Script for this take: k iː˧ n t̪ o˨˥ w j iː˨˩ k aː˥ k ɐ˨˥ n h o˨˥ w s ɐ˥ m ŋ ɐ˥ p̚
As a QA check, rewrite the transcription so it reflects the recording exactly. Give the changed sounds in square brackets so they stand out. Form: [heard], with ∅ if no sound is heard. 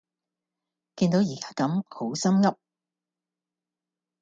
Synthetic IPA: k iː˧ n t̪ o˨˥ w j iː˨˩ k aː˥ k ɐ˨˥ [m] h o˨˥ w s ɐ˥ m ŋ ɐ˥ p̚

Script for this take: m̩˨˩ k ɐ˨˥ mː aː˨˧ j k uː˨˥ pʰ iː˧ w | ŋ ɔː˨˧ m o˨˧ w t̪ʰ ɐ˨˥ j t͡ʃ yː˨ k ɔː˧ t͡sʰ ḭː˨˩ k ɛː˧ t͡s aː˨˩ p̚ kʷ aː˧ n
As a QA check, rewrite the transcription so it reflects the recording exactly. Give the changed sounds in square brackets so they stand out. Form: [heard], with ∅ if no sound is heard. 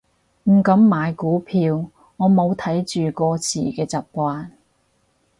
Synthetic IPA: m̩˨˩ k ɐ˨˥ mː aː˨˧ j k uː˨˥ pʰ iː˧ w | ŋ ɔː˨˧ m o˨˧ w t̪ʰ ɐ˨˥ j t͡ʃ yː˨ k ɔː˧ t͡sʰ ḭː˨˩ k ɛː˧ t͡s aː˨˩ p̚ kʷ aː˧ n

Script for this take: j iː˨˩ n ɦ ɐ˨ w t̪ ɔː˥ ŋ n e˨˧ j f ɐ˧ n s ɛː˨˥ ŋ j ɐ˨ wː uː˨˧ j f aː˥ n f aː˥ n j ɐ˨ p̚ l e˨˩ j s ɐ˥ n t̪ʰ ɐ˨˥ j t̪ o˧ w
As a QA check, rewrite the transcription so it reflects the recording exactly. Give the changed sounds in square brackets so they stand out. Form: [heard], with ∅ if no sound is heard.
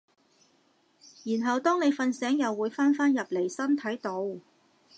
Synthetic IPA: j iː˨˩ n ɦ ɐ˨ w t̪ ɔː˥ ŋ n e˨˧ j f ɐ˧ n s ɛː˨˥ ŋ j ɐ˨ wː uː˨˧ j f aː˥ n f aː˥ n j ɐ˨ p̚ l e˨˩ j s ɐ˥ n t̪ʰ ɐ˨˥ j t̪ o˧ w

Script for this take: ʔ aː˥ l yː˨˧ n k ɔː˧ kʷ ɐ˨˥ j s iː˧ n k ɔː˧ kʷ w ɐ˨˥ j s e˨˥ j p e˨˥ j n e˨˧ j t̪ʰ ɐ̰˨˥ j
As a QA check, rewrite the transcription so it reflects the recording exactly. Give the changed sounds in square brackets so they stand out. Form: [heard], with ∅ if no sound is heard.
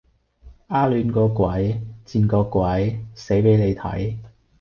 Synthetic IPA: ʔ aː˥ l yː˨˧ n k ɔː˧ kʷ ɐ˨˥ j [t͡s] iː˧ n k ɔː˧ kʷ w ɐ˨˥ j s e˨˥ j p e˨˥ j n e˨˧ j t̪ʰ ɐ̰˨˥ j

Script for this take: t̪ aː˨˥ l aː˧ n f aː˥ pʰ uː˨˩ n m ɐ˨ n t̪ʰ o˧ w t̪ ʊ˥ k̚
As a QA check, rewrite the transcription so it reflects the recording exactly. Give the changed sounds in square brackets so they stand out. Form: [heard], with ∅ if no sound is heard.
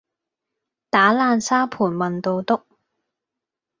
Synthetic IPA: t̪ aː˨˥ l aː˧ n [s] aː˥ pʰ uː˨˩ n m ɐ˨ n [t̪] o˧ w t̪ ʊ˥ k̚

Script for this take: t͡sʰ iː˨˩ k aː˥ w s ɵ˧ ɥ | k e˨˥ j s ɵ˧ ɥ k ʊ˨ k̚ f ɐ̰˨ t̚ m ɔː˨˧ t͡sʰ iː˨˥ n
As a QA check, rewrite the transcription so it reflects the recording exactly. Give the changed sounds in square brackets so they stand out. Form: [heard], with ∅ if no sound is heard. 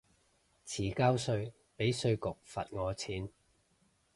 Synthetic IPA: t͡sʰ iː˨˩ k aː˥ w s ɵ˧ ɥ | [p] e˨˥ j s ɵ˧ ɥ k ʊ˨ k̚ f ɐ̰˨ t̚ [ŋ] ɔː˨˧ t͡sʰ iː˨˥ n

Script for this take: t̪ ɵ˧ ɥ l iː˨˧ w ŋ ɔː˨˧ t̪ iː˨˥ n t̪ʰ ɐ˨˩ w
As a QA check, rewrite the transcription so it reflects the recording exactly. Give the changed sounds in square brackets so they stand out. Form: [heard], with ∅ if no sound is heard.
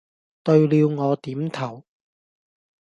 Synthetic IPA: t̪ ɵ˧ ɥ l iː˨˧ w ŋ ɔː˨˧ t̪ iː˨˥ [m] t̪ʰ ɐ˨˩ w

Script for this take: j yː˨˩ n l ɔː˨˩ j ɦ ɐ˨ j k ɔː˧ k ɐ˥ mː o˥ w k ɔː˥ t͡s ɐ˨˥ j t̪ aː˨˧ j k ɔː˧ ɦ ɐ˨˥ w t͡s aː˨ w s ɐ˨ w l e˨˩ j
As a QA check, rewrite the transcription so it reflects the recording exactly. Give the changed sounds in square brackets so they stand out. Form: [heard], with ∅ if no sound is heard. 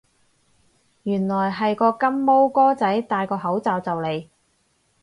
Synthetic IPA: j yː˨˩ n l ɔː˨˩ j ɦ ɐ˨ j k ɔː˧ k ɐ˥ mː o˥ w k ɔː˥ t͡s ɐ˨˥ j t̪ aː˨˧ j k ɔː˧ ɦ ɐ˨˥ w t͡s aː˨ w [t͡s] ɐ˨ w l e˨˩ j

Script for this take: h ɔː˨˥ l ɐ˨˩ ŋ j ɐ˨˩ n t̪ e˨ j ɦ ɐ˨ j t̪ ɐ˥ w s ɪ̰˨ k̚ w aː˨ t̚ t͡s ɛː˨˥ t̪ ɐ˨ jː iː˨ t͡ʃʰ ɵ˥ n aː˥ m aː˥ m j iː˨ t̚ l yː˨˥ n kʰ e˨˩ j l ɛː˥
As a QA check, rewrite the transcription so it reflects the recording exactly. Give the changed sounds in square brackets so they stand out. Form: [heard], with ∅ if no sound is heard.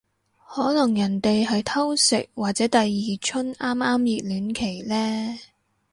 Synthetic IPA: h ɔː˨˥ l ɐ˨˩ ŋ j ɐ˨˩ n t̪ e˨ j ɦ ɐ˨ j [t̪ʰ] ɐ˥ w s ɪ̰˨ k̚ w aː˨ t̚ t͡s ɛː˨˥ t̪ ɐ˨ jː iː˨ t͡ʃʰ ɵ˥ n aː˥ m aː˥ m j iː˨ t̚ l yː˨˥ n kʰ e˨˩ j l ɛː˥

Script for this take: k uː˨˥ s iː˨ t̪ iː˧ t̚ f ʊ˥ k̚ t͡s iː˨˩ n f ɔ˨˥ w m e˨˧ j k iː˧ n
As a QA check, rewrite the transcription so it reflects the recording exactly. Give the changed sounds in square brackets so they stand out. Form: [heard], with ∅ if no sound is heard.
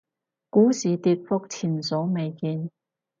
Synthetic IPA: k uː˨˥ s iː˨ t̪ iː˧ t̚ f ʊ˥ k̚ [t͡sʰ] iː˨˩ n [s] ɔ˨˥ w m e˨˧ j k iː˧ n

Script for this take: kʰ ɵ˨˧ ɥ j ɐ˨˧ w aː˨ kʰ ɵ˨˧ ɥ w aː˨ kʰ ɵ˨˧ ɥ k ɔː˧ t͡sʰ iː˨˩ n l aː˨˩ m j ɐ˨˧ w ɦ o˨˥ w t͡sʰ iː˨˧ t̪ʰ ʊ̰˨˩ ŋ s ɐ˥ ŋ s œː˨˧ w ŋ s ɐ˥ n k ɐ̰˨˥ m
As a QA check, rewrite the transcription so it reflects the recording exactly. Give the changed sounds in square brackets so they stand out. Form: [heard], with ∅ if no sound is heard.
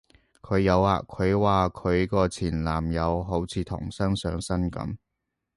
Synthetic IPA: kʰ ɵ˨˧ ɥ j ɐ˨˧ w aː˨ kʰ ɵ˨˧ ɥ w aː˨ kʰ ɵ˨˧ ɥ k ɔː˧ t͡sʰ iː˨˩ n l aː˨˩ m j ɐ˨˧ w ɦ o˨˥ w t͡sʰ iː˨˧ t̪ʰ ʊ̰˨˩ ŋ s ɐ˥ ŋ s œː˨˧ [∅] ŋ s ɐ˥ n k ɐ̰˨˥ m

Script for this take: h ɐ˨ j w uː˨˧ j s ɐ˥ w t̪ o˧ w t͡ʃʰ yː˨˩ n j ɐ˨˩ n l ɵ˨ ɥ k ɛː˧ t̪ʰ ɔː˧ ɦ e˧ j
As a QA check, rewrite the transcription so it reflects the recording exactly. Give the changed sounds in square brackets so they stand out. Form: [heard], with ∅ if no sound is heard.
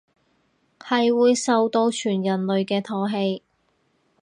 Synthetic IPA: h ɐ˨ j w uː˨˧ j s [ɐ˨] w t̪ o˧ w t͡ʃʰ yː˨˩ n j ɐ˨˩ n l ɵ˨ ɥ k ɛː˧ t̪ʰ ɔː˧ ɦ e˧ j

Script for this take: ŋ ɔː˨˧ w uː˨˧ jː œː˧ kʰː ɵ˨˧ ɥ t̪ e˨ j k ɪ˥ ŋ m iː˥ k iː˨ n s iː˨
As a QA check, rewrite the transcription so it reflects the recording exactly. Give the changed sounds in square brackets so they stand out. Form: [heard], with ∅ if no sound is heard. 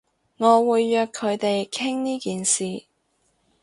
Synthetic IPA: ŋ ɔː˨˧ w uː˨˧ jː œː˧ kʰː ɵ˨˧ ɥ t̪ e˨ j [kʰ] ɪ˥ ŋ [n] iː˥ k iː˨ n s iː˨

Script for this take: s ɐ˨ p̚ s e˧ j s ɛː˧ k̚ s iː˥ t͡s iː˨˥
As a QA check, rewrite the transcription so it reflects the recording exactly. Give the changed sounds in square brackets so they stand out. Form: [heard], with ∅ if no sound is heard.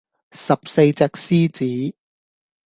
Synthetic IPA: s ɐ˨ p̚ s e˧ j [t͡s] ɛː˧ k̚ s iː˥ t͡s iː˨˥

